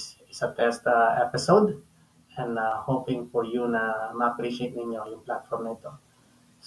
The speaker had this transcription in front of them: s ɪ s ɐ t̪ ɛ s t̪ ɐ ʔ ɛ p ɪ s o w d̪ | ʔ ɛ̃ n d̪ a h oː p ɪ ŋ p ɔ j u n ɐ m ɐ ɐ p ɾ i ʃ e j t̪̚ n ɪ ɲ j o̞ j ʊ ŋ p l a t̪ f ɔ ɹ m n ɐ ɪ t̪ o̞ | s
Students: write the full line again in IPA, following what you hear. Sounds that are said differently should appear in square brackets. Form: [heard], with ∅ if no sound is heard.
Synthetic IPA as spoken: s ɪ s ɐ t̪ ɛ s t̪ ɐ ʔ ɛ p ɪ s o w d̪ | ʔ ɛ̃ n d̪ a h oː p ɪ ŋ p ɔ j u n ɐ m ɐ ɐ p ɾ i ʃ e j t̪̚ n ɪ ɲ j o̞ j ʊ ŋ p l a t̪ f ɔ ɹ m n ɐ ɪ t̪ o̞ | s